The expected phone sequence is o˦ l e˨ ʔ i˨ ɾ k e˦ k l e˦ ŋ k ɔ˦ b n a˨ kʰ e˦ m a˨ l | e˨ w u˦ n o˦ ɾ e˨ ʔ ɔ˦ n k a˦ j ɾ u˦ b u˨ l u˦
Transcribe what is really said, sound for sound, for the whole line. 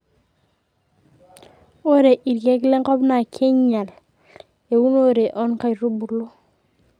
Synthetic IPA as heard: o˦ ɾ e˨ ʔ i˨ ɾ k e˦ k l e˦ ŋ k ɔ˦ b n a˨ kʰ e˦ ɲ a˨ l | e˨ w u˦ n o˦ ɾ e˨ ʔ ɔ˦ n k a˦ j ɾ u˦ b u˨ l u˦